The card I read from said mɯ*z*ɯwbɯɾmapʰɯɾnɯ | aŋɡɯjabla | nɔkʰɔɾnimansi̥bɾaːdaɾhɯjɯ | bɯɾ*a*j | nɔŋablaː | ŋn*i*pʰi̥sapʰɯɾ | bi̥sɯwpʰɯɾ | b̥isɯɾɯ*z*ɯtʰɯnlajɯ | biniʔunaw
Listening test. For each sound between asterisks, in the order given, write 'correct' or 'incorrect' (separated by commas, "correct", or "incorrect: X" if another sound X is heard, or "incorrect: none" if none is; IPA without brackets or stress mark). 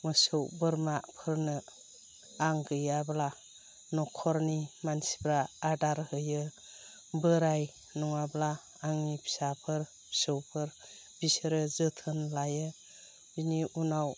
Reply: incorrect: s, correct, correct, correct